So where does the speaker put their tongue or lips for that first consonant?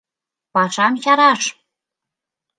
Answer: lips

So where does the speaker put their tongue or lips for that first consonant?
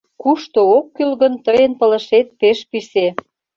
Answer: velum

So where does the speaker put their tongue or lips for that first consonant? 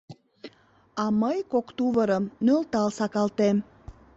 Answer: lips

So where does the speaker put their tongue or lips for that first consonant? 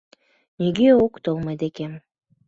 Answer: tongue tip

